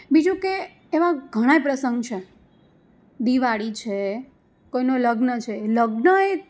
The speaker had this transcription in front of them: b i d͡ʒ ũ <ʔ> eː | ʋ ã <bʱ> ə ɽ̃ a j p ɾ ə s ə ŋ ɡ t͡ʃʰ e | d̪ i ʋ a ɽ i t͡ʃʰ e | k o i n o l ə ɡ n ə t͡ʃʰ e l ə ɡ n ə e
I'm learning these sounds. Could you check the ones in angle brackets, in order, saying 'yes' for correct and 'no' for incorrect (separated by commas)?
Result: no, no